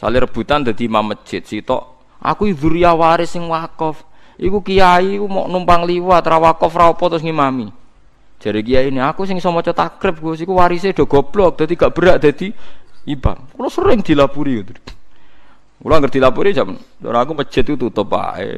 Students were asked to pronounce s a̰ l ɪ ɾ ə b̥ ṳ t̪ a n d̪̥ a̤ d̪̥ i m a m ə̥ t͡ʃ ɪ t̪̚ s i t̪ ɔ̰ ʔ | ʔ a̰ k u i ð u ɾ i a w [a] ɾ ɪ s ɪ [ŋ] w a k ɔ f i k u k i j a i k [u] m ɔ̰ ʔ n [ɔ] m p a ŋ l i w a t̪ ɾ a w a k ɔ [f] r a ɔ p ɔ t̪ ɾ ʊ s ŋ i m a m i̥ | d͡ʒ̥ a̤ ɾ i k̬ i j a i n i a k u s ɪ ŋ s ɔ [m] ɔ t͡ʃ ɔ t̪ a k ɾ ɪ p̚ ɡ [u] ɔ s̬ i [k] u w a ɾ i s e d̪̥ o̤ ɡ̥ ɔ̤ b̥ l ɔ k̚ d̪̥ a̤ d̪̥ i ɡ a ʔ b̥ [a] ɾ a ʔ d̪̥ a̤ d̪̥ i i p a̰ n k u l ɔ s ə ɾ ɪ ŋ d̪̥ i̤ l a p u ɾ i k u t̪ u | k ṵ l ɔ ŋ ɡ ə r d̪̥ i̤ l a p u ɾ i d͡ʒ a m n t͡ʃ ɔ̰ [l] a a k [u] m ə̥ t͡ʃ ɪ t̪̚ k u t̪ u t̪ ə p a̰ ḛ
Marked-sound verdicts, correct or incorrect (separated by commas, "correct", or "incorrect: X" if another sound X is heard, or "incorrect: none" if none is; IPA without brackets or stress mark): correct, correct, correct, incorrect: u, correct, correct, correct, correct, incorrect: ə, incorrect: ɾ, correct